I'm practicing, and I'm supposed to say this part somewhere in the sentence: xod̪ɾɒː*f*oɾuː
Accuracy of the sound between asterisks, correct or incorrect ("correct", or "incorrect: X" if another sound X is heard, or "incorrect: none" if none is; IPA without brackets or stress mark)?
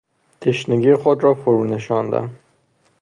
correct